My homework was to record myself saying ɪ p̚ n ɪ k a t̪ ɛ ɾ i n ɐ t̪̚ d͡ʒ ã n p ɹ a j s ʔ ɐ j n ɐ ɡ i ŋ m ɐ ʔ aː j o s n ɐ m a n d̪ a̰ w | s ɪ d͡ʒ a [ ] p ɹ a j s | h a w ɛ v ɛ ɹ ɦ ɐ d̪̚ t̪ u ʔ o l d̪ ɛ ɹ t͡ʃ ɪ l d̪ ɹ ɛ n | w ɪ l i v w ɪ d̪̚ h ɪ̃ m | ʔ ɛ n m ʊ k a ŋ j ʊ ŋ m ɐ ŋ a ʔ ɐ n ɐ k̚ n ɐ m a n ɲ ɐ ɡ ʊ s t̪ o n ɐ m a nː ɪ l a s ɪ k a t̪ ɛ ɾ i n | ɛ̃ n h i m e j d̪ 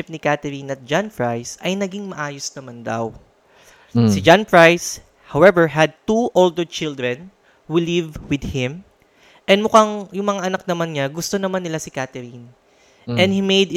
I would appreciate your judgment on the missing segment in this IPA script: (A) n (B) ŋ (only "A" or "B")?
A